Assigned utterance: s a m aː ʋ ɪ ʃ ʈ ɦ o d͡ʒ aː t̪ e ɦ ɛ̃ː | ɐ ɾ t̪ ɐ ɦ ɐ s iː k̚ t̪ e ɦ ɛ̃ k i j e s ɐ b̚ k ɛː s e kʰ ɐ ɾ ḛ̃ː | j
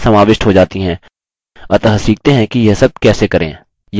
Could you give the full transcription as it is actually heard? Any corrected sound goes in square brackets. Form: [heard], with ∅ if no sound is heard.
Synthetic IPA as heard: s [ɐ] m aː ʋ ɪ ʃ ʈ ɦ o d͡ʒ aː t̪ [i] ɦ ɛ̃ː | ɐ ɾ t̪ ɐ ɦ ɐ s iː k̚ t̪ e ɦ ɛ̃ k i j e s ɐ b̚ k ɛː s e [k] ɐ ɾ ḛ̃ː | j